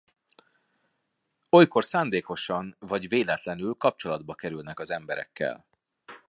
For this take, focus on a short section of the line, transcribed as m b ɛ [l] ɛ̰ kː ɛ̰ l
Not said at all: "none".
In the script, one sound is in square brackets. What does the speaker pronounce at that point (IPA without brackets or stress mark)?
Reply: ɾ